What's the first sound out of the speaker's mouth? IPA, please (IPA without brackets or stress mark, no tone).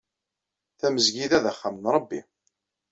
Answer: θ